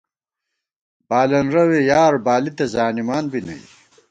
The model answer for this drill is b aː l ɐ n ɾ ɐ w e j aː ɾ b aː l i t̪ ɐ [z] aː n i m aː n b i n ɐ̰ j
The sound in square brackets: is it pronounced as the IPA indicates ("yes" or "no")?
yes